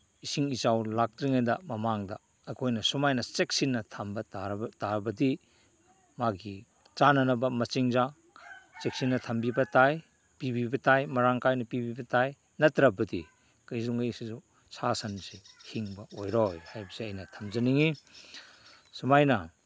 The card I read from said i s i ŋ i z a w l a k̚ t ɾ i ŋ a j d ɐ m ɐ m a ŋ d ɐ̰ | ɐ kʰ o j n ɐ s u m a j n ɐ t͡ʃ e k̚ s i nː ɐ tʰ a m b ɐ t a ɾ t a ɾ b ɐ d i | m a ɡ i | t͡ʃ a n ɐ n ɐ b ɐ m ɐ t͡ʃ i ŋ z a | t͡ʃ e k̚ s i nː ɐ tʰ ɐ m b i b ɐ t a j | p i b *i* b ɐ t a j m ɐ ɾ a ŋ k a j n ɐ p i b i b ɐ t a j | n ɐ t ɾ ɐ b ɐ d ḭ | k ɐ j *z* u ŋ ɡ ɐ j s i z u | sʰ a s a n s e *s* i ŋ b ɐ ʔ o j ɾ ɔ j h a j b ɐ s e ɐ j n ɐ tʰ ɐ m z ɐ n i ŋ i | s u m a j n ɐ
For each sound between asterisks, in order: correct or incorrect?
correct, correct, incorrect

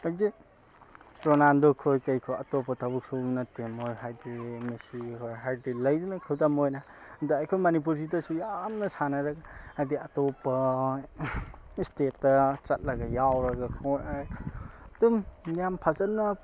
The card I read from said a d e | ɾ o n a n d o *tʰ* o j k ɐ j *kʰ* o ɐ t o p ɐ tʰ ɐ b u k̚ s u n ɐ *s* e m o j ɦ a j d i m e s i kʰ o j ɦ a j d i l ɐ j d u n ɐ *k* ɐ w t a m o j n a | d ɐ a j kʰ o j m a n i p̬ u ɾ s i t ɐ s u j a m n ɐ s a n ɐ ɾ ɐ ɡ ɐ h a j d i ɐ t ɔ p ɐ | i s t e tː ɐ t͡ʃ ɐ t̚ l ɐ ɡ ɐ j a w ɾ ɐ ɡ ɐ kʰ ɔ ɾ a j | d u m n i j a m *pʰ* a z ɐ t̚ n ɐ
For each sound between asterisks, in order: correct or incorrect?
incorrect, correct, incorrect, incorrect, correct

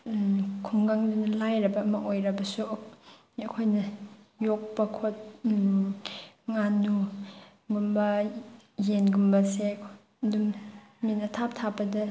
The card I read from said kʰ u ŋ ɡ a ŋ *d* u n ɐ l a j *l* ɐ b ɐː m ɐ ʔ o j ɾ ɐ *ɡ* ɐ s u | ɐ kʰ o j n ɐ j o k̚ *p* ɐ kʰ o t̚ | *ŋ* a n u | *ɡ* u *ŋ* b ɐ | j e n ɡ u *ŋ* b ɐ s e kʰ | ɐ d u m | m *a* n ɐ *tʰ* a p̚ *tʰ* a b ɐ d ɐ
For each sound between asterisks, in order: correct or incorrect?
correct, incorrect, incorrect, correct, correct, correct, incorrect, incorrect, incorrect, correct, correct

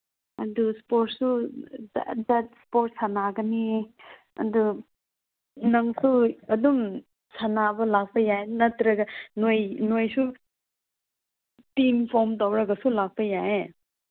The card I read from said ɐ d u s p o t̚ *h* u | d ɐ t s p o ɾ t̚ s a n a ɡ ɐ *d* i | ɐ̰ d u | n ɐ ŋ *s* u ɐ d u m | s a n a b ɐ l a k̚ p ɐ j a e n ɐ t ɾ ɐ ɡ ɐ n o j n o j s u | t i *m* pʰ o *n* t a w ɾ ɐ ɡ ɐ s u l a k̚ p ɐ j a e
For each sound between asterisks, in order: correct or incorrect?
incorrect, incorrect, correct, correct, incorrect

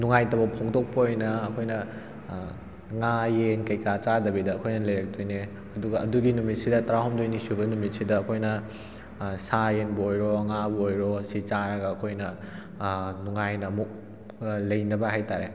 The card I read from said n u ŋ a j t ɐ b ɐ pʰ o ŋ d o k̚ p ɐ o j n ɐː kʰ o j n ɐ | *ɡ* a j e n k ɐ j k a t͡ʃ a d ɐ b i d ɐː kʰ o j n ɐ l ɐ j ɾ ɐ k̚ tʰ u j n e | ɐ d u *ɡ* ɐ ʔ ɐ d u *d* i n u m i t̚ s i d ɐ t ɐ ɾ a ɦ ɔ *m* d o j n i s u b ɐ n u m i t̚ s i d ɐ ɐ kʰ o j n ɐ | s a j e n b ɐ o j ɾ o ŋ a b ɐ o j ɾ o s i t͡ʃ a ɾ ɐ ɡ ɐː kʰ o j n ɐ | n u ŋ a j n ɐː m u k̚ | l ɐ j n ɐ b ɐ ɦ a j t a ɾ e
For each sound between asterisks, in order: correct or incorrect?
incorrect, correct, incorrect, correct

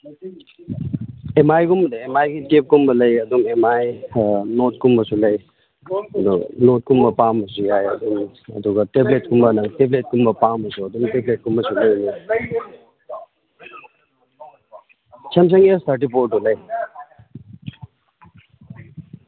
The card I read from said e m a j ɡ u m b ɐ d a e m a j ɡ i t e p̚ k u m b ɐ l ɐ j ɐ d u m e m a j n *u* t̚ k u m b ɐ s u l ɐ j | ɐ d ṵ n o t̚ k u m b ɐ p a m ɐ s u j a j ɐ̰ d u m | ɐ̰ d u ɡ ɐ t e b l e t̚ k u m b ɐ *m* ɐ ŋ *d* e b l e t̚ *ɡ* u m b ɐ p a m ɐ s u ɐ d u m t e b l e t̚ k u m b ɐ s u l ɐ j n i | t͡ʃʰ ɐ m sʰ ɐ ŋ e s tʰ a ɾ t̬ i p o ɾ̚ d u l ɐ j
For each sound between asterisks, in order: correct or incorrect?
incorrect, incorrect, incorrect, incorrect

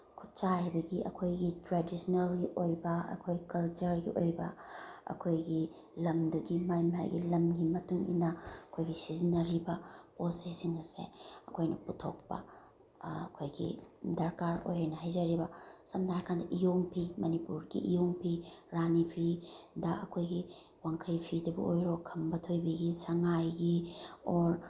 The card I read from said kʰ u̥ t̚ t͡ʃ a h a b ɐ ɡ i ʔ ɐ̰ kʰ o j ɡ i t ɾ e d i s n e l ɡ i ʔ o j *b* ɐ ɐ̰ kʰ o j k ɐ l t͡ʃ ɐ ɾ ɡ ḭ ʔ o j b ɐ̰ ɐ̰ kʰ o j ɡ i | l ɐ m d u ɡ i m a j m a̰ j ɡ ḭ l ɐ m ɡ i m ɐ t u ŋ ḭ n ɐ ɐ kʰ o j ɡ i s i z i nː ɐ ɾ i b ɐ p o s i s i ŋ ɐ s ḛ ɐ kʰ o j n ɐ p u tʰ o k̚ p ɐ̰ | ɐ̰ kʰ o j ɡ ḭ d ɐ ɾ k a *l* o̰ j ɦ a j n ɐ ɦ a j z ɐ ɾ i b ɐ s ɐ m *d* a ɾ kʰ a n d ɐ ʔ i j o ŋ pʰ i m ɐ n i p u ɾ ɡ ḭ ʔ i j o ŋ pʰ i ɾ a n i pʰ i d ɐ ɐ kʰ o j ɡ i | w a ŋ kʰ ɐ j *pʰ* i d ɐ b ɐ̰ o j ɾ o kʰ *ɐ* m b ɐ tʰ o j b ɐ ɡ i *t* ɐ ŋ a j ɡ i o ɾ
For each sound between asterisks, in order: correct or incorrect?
correct, incorrect, correct, correct, correct, incorrect

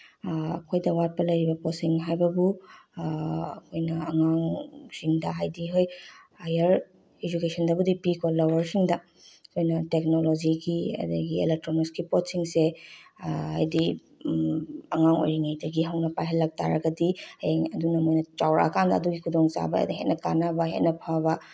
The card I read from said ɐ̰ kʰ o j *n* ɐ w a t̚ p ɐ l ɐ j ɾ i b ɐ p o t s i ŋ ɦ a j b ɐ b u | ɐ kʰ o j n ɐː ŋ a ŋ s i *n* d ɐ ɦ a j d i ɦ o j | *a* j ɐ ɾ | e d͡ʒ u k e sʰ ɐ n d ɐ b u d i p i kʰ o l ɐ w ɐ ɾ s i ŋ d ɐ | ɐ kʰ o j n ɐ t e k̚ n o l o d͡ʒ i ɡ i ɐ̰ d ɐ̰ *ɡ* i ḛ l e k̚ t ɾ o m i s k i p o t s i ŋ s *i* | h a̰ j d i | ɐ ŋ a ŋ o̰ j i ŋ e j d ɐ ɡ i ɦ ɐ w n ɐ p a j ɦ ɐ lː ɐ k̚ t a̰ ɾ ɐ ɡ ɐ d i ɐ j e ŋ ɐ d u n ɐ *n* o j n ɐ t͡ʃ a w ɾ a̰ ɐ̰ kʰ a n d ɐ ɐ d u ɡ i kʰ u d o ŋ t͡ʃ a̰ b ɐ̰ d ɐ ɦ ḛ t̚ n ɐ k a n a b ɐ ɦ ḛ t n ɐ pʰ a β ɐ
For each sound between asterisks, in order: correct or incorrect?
incorrect, incorrect, correct, correct, incorrect, incorrect

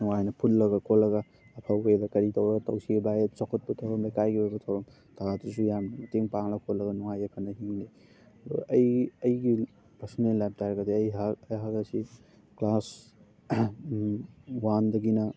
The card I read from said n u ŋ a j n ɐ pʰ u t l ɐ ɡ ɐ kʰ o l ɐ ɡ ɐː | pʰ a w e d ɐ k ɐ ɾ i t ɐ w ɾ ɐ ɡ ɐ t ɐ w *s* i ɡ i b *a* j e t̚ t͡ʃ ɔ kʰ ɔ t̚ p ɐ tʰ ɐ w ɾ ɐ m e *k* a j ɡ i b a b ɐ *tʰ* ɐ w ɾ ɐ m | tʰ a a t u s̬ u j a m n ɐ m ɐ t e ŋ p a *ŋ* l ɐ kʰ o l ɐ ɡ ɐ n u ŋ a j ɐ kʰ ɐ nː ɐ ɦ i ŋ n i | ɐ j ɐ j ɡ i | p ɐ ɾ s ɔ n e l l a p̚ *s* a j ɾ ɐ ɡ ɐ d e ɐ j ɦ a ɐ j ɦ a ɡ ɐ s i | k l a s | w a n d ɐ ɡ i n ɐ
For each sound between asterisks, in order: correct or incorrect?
correct, correct, correct, correct, correct, incorrect

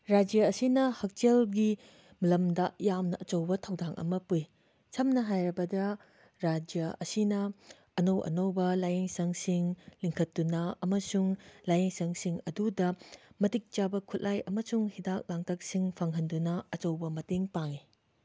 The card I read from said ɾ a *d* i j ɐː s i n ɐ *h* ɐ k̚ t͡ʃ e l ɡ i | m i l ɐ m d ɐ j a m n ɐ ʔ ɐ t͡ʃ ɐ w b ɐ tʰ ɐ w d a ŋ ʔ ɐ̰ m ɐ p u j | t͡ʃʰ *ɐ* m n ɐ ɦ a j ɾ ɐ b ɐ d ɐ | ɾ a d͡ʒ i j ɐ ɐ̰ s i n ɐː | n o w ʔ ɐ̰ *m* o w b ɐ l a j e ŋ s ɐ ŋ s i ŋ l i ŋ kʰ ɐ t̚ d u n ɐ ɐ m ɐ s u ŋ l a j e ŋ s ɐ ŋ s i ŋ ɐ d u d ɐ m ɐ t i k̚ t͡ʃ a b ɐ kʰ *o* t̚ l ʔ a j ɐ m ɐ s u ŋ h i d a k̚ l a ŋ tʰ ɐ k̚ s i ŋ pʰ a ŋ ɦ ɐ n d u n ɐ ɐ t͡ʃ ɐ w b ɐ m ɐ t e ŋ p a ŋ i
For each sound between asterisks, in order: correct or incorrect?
incorrect, correct, correct, incorrect, incorrect

